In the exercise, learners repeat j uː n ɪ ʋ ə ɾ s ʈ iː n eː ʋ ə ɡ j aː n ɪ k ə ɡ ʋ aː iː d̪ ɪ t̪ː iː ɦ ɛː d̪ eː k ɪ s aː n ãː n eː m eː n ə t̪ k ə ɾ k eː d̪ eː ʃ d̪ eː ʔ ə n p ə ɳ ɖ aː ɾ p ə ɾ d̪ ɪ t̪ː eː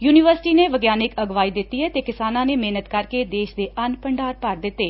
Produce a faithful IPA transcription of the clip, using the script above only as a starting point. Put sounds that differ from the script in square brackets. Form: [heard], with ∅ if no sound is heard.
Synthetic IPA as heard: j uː n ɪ ʋ ə ɾ s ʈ iː n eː ʋ ə ɡ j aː n ɪ k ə ɡ ʋ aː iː d̪ ɪ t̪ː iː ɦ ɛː [t̪] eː k ɪ s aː n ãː n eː m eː n ə t̪ k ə ɾ k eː d̪ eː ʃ d̪ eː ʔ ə n p ə ɳ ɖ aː ɾ p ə ɾ d̪ ɪ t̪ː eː